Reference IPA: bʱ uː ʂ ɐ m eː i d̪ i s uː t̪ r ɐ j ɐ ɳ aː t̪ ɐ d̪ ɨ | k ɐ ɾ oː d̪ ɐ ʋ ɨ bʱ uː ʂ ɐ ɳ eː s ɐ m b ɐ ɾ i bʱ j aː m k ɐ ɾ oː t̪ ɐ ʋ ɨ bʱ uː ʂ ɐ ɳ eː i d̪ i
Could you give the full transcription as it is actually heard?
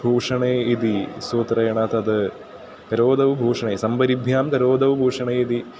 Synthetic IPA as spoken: bʱ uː ʂ ɐ ɳ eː i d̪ i s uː t̪ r ɐ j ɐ ɳ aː t̪ ɐ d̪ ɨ | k ɐ ɾ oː d̪ ɐ ʋ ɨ bʱ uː ʂ ɐ ɳ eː s ɐ m b ɐ ɾ i bʱ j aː m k ɐ ɾ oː d̪ ɐ ʋ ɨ bʱ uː ʂ ɐ ɳ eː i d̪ i